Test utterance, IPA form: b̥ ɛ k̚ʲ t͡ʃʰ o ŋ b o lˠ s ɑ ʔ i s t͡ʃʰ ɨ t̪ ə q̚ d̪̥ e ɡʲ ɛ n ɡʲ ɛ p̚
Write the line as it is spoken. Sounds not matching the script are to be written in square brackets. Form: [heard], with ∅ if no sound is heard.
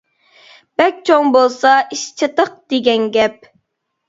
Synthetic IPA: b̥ ɛ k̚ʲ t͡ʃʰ o ŋ b o lˠ s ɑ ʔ i [ʃ] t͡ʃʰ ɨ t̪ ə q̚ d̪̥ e ɡʲ ɛ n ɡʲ ɛ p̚